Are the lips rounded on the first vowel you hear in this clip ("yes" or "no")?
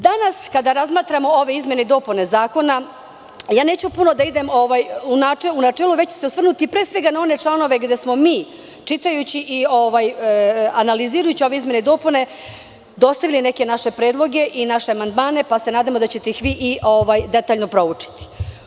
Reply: no